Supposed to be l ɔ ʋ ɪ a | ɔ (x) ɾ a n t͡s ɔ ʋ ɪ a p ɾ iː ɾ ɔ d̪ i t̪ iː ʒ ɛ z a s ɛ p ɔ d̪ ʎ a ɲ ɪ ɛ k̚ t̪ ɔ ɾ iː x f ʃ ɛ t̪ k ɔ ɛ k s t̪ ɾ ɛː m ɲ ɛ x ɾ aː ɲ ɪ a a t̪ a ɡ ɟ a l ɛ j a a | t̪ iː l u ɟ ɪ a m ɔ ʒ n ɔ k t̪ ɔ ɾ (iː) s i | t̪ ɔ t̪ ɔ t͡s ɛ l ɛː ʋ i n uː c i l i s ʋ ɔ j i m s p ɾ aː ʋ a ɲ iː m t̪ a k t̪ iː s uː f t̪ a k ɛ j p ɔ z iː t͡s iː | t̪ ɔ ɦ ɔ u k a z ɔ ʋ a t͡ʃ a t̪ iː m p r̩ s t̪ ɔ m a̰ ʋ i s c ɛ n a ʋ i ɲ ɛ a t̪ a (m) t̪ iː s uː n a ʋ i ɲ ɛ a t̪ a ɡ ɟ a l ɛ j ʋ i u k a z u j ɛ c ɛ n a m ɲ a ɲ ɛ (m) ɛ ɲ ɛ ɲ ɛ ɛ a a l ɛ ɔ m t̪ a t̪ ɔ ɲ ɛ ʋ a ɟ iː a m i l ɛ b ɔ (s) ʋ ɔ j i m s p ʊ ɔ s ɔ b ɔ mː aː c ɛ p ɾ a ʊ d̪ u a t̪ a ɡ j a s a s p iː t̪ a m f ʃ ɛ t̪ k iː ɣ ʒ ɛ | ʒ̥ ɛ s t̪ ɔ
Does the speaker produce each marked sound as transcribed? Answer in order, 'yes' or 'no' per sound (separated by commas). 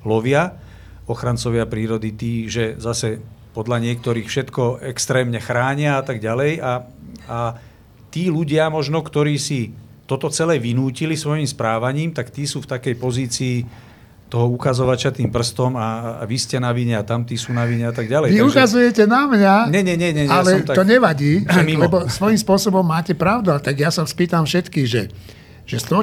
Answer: yes, yes, yes, no, yes